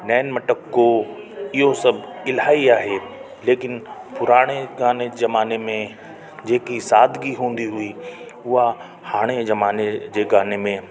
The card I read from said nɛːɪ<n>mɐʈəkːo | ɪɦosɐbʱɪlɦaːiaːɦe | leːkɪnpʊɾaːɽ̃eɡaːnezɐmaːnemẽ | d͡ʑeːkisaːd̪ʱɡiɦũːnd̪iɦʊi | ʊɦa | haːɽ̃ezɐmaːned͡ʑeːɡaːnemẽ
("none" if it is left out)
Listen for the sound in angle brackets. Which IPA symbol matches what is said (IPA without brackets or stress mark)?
n